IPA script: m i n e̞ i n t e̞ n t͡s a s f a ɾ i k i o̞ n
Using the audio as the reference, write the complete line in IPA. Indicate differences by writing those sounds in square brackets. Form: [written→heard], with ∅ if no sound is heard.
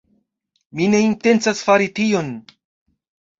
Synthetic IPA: m i n e̞ i n t e̞ n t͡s a s f a ɾ i [k→t] i o̞ n